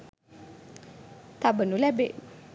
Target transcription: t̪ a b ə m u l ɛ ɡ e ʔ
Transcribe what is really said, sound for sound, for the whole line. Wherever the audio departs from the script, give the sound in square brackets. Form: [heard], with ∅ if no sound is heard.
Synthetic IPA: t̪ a b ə [n] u l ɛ [b] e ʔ